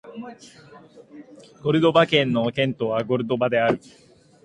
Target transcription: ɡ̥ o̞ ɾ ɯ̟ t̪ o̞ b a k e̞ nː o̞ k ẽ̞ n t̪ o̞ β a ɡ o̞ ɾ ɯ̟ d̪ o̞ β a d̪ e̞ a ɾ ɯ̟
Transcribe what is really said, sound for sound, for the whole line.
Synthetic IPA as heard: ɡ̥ o̞ ɾ ɯ̟ d̪ o̞ b a k ẽ̞ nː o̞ k ẽ̞ n t̪ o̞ β a ɡ o̞ ɾ ɯ̟ d̪ o̞ b a d̪ e̞ a ɾ ɯ̟